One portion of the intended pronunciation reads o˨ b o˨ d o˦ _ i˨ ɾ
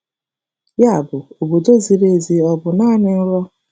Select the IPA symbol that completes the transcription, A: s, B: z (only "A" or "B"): B